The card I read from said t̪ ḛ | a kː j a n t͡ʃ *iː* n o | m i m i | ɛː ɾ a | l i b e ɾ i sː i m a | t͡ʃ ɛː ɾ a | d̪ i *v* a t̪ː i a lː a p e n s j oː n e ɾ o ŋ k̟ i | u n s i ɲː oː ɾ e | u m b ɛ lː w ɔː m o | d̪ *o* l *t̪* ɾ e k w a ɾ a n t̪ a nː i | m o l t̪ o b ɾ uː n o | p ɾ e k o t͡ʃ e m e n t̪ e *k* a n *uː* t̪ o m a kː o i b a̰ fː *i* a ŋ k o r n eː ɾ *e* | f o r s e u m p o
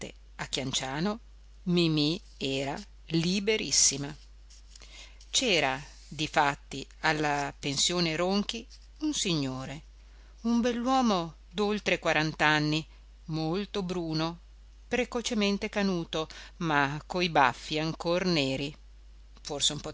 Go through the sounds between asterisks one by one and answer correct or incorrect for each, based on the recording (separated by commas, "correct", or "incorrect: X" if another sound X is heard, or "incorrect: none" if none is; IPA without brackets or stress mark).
incorrect: aː, incorrect: f, correct, correct, correct, correct, correct, incorrect: i